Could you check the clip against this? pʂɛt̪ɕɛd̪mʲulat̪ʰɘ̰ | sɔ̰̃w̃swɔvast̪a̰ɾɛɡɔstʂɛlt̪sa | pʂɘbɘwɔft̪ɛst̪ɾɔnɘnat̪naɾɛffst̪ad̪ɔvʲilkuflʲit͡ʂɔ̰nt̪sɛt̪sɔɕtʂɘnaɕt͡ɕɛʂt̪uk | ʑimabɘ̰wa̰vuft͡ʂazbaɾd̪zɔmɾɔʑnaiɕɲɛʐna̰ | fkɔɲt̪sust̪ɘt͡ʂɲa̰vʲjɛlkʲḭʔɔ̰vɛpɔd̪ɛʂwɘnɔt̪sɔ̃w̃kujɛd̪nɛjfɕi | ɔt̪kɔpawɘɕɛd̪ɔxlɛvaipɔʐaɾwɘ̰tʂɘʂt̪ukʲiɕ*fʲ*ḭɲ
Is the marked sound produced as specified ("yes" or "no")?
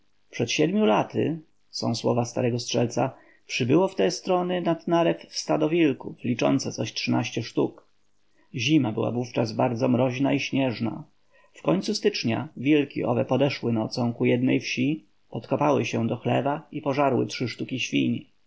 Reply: yes